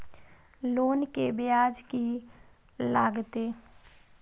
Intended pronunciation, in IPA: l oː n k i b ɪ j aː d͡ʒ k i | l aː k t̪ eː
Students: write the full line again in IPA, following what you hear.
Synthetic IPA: l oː n k e b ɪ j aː d͡ʒ k i | l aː ɡ t̪ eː